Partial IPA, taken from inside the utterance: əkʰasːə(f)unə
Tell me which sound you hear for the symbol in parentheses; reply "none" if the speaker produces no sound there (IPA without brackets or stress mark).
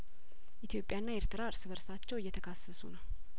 s